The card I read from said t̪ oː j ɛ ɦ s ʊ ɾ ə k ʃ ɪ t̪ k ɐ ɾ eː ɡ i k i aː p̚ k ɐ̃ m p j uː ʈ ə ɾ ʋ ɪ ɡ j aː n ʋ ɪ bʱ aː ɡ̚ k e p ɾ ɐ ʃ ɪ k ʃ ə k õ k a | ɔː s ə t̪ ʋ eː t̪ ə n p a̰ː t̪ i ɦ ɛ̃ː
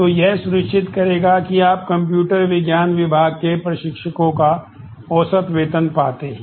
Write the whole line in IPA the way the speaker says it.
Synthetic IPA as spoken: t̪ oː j ɛ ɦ s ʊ ɾ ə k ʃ ɪ t̪ k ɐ ɾ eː ɡ a k i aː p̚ k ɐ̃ m p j uː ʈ ə ɾ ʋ ɪ ɡ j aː n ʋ ɪ bʱ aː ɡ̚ k e p ɾ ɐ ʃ ɪ k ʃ ə k õ k a | ɔː s ə t̪ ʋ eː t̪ ə n p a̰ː t̪ e ɦ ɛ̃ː